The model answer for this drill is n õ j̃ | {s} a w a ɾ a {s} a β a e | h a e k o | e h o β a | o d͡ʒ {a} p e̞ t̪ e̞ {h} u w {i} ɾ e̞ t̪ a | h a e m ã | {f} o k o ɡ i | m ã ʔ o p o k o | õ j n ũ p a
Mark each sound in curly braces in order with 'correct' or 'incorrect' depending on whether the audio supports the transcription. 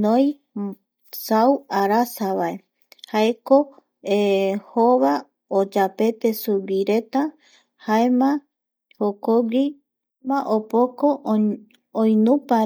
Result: correct, correct, correct, incorrect, correct, incorrect

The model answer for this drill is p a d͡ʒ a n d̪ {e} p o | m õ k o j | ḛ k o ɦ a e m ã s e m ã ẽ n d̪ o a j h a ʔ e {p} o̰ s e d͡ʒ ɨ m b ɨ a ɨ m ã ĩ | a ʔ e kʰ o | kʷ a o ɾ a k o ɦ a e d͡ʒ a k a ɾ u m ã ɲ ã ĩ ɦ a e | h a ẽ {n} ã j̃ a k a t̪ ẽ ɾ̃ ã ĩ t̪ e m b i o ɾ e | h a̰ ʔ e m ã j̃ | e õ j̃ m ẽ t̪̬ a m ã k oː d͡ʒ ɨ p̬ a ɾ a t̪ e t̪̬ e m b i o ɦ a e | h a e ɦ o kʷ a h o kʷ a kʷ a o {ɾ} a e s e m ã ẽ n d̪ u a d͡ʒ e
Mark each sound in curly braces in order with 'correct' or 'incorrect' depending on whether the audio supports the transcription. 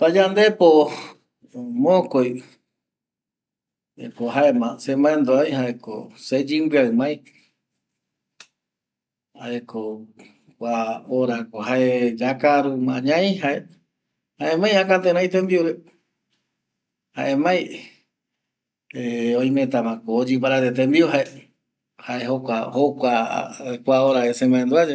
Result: correct, incorrect, incorrect, correct

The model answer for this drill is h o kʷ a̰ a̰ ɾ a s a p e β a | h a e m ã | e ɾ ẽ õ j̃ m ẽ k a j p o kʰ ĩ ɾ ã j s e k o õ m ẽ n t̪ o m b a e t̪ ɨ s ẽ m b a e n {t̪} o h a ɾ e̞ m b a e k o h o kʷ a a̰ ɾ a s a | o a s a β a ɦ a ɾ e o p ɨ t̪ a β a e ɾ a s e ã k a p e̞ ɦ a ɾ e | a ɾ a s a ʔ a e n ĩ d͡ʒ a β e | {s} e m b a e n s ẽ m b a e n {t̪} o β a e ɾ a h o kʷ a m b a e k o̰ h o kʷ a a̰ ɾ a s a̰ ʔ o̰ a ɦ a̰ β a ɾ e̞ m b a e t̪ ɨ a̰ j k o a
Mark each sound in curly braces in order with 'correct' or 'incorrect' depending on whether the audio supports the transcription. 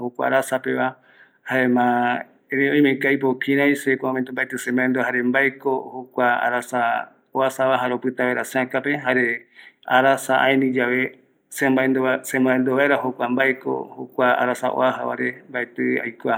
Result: incorrect, correct, incorrect

